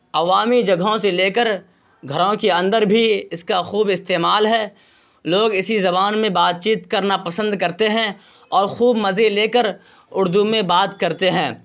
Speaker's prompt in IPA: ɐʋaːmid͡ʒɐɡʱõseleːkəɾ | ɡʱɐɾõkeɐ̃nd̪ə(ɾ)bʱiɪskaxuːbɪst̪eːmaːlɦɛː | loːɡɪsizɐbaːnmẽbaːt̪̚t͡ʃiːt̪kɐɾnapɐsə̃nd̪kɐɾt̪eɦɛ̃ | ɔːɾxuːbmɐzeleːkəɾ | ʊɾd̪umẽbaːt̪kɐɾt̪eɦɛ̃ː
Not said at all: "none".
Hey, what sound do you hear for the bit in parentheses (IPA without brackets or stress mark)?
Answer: ɾ